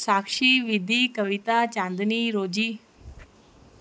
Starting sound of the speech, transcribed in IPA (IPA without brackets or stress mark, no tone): s